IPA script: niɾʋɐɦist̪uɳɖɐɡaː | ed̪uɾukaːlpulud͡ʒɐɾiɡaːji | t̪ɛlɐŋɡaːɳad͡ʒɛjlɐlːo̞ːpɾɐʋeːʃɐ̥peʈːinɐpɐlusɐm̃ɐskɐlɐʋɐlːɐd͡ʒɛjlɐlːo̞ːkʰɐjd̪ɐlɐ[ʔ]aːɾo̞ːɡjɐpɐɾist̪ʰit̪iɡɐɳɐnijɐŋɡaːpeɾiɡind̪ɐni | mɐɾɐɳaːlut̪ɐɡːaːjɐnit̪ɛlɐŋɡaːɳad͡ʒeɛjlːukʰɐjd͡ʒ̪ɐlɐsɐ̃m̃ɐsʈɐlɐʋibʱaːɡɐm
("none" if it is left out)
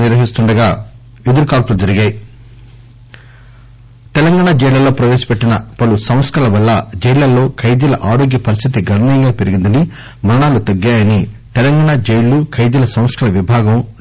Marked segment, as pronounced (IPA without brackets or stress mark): ʔ